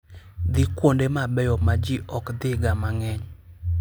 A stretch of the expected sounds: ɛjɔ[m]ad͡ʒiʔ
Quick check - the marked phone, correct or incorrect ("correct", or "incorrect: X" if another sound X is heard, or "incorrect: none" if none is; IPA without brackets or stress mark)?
correct